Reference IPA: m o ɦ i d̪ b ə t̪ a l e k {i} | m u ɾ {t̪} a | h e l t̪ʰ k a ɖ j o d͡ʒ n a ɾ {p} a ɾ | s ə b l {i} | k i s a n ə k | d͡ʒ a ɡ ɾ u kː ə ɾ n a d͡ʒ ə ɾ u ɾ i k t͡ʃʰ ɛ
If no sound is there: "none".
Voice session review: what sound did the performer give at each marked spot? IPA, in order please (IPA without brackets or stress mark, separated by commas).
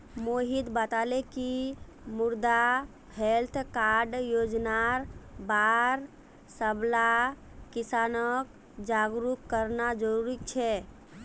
i, d̪, b, a